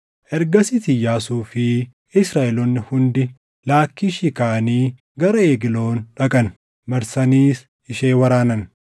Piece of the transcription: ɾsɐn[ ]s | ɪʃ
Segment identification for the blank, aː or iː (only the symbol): iː